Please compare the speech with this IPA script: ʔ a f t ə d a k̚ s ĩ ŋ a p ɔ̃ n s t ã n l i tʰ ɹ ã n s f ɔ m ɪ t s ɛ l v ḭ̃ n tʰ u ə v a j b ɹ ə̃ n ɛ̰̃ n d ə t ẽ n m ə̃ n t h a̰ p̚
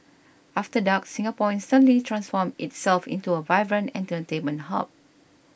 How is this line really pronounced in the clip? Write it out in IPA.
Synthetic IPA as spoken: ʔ a f t ə d a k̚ s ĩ ŋ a p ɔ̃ n s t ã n l i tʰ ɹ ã n s f ɔ m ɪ t s ɛ l f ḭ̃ n t u ə v a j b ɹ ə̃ n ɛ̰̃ n t ə t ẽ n m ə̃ n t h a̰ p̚